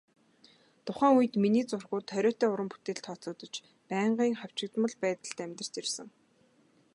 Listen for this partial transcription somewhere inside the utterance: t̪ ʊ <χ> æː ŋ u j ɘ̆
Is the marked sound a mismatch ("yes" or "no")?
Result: no